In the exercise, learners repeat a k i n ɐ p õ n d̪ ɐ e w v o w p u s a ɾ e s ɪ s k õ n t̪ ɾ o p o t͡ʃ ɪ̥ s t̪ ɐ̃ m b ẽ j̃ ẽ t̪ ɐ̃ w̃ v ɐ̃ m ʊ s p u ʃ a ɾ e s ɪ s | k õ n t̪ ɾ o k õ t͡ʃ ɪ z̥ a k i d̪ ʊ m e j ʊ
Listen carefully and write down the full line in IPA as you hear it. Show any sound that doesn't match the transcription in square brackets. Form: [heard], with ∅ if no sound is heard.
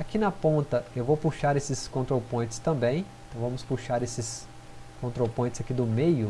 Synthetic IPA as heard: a k i n ɐ p õ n [t̪] ɐ e w v o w p u [ʃ] a ɾ e s ɪ s k õ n t̪ ɾ o p [õ] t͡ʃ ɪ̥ s t̪ ɐ̃ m b ẽ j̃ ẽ t̪ ɐ̃ w̃ v ɐ̃ m ʊ s p u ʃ a ɾ e s ɪ s | k õ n t̪ ɾ o [p] õ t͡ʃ ɪ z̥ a k i d̪ ʊ m e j ʊ